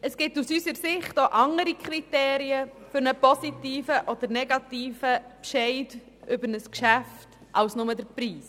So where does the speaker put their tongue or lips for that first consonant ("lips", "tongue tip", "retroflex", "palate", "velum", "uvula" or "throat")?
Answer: tongue tip